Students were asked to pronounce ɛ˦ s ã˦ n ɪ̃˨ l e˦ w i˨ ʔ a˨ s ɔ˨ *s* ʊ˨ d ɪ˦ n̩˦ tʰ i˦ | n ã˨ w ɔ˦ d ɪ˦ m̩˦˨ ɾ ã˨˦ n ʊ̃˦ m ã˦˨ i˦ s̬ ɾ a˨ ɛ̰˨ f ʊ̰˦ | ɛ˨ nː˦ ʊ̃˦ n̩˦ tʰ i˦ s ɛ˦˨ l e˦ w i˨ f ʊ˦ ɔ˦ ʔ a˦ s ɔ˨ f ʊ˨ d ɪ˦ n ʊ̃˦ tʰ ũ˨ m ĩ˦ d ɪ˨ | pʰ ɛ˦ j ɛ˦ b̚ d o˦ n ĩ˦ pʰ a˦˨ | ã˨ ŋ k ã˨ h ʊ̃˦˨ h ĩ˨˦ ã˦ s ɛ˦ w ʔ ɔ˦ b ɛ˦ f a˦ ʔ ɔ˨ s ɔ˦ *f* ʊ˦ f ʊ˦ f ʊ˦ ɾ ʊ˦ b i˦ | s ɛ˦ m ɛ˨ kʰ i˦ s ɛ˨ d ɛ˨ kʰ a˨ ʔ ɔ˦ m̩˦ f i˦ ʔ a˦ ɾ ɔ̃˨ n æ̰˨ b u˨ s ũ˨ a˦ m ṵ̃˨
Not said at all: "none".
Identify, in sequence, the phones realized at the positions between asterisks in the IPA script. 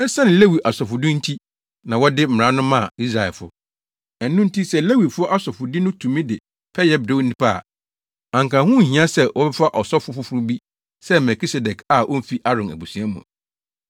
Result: f, f

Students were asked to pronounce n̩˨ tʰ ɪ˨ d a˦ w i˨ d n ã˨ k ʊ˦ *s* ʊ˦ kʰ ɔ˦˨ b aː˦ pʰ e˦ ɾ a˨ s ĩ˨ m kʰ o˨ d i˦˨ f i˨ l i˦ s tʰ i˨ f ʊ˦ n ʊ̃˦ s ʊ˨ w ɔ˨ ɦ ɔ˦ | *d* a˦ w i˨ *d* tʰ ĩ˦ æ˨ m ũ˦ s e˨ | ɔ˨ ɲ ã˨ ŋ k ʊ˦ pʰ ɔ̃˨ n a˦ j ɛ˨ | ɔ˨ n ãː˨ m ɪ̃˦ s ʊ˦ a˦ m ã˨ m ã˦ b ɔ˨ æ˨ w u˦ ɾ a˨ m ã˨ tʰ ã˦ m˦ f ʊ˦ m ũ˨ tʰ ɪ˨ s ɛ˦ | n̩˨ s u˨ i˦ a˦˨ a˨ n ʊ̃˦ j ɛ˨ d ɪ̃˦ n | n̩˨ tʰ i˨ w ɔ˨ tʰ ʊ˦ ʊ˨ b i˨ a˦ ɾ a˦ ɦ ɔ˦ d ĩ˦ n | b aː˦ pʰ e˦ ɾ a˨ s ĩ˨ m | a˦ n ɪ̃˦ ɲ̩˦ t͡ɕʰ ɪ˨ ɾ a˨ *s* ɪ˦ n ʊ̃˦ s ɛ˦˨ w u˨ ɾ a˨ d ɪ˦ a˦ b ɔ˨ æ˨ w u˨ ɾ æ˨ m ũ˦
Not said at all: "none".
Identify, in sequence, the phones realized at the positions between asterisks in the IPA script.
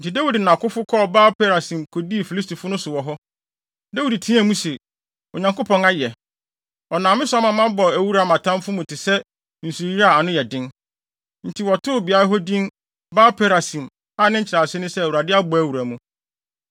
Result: f, d, d, s

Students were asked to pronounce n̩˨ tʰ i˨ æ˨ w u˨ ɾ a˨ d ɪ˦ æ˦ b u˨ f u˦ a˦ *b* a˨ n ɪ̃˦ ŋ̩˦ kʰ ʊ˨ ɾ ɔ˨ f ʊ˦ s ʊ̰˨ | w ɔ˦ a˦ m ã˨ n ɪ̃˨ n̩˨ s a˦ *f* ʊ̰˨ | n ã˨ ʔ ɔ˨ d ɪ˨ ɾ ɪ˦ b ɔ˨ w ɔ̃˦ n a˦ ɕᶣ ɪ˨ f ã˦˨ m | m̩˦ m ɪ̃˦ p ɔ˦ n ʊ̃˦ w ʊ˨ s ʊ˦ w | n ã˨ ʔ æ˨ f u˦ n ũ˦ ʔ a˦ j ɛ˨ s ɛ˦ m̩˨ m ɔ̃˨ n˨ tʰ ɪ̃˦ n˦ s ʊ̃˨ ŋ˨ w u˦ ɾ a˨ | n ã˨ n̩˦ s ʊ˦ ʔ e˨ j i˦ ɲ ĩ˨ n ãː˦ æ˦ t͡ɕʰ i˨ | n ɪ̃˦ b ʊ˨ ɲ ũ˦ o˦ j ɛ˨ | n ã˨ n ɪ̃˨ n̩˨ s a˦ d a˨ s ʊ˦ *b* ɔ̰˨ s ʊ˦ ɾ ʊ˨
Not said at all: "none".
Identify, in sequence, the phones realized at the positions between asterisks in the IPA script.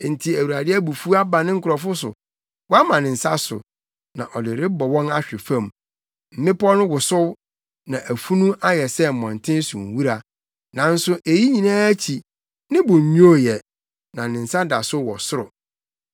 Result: b, s, w

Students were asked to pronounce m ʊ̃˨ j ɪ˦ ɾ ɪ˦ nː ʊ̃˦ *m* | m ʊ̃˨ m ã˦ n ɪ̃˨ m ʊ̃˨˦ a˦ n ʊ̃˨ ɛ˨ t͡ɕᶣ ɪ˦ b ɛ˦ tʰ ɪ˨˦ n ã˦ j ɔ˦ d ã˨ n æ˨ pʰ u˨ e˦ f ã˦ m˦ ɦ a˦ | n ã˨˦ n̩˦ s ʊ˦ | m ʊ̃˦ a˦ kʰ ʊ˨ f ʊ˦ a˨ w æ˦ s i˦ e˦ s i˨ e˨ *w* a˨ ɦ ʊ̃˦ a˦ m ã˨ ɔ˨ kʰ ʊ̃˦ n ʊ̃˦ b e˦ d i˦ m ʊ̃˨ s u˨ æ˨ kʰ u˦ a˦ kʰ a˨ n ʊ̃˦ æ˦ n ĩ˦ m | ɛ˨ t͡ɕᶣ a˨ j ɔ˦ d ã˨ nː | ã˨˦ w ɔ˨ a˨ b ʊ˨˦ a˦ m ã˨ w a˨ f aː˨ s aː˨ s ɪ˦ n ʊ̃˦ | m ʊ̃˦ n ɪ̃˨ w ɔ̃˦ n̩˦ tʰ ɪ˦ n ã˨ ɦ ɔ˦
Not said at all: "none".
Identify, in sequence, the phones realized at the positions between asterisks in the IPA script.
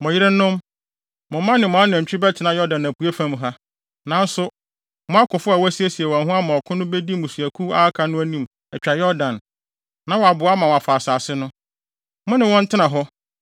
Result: m, w

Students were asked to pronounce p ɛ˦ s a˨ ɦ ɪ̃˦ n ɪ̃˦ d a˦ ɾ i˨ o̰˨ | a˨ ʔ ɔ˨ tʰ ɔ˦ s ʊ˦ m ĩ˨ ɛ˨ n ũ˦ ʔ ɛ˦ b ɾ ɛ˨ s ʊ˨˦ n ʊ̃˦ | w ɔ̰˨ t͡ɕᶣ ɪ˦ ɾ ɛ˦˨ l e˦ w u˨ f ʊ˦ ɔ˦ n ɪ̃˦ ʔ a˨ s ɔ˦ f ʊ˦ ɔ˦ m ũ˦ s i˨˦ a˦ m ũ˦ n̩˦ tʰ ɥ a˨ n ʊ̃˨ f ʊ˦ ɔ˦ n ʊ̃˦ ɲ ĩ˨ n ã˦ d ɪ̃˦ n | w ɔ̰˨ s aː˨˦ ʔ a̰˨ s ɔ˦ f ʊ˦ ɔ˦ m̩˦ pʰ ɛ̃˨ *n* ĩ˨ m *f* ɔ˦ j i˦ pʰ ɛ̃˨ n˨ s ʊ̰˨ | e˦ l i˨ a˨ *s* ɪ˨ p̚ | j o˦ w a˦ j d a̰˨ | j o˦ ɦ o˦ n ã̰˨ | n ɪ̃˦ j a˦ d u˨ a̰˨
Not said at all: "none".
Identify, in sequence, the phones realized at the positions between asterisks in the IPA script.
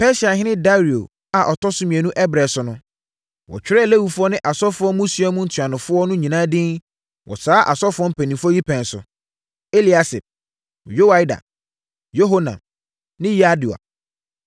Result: n, f, s

